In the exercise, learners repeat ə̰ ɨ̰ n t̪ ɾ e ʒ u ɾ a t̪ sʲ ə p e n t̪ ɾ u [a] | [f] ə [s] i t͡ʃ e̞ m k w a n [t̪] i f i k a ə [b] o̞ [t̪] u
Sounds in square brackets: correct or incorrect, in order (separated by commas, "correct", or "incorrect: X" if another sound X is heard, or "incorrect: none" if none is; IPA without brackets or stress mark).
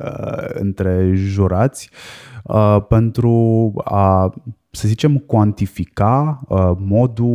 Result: correct, incorrect: s, incorrect: z, correct, incorrect: m, incorrect: d̪